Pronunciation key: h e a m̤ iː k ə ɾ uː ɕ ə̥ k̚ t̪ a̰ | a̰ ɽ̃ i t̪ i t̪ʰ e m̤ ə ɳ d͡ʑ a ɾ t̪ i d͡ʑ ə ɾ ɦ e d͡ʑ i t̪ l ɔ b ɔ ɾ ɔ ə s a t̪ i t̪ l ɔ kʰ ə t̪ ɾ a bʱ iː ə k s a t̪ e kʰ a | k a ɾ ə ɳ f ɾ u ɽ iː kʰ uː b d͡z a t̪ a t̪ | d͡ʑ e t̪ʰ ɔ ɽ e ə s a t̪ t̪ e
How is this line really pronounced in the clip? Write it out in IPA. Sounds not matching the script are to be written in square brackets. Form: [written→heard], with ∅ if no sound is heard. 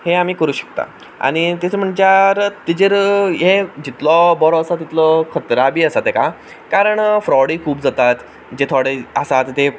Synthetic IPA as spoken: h e a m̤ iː k ə ɾ uː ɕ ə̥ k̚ t̪ a̰ | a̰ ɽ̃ i t̪ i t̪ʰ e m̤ ə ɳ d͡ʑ a ɾ t̪ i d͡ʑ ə ɾ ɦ e d͡ʑ i t̪ l ɔ b ɔ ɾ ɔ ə s a t̪ i t̪ l ɔ kʰ ə t̪ ɾ a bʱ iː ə [k→∅] s a t̪ e [kʰ→k] a | k a ɾ ə ɳ f ɾ [u→ɔ] ɽ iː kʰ uː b d͡z a t̪ a t̪ | d͡ʑ e t̪ʰ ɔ ɽ e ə s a t̪ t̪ e